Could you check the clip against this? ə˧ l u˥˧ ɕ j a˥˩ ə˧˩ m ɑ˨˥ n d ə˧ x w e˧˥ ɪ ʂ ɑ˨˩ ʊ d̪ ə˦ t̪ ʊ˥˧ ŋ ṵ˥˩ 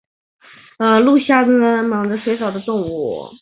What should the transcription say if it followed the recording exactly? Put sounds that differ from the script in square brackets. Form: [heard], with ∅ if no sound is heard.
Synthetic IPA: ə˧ l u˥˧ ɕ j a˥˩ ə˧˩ m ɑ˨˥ [ŋ] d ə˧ [ʂ] w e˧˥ ɪ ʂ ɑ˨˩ ʊ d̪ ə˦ t̪ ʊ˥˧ ŋ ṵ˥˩